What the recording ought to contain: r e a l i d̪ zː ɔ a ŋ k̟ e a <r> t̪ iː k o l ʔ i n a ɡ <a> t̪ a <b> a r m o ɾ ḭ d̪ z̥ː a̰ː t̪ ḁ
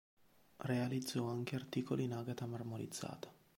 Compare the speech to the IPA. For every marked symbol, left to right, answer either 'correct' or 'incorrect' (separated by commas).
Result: correct, correct, incorrect